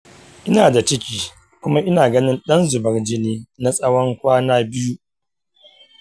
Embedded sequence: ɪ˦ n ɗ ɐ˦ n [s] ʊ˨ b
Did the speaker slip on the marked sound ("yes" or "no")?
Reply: yes